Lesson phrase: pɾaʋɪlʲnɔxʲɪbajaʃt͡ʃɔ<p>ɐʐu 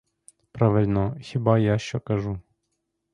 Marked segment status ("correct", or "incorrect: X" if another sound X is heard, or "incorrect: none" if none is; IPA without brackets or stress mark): incorrect: k